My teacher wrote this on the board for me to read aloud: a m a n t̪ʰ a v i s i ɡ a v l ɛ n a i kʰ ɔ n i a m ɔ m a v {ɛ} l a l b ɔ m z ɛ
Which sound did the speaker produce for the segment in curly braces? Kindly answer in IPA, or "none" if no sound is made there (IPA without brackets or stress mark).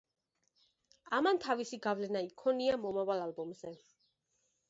a